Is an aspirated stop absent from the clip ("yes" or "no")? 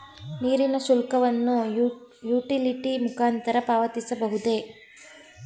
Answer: yes